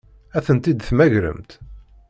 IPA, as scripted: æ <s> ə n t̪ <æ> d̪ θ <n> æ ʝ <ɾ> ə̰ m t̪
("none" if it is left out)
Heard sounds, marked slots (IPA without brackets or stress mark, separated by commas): θ, i, m, ɾ